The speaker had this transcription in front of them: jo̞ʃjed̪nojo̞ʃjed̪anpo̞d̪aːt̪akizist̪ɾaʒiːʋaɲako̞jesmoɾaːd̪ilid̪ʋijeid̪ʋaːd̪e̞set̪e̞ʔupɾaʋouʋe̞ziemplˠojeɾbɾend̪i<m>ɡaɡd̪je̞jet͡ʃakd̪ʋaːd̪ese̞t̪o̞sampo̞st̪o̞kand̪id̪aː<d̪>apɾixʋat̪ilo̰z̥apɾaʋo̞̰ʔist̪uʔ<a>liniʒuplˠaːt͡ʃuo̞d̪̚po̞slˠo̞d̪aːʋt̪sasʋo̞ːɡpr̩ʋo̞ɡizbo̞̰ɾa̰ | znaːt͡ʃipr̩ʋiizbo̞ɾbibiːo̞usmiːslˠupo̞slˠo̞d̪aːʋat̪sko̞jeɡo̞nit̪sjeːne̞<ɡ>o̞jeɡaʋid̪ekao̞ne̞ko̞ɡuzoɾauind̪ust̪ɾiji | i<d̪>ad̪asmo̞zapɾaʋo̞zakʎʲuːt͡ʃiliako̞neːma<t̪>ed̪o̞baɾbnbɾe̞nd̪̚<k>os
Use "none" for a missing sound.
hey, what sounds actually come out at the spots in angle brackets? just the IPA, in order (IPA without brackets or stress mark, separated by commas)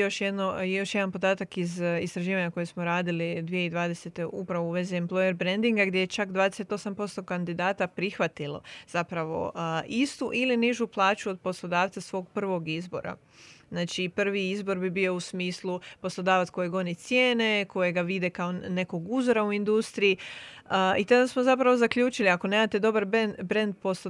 ŋ, t̪, i, k, t̪, t̪, p